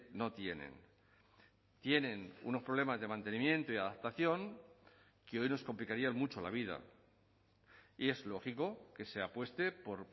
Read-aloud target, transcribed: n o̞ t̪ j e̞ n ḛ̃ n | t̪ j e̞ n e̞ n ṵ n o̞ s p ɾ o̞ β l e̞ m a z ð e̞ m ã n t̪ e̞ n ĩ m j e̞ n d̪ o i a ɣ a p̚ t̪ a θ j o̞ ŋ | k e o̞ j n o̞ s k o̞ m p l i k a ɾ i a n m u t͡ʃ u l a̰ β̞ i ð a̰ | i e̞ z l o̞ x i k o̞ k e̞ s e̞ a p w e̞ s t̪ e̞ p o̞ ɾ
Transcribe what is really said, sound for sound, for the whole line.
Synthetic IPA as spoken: n o̞ t̪ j e̞ n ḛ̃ n | t̪ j e̞ n e̞ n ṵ n o̞ s p ɾ o̞ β l e̞ m a z ð e̞ m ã n t̪ e̞ n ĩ m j e̞ n t̪ o i a ð a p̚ t̪ a θ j o̞ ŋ | k e o̞ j n o̞ s k o̞ m p l i k a ɾ i a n m u t͡ʃ o l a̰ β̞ i ð a̰ | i e̞ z l o̞ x i k o̞ k e̞ s e̞ a p w e̞ s t̪ e̞ p o̞ ɾ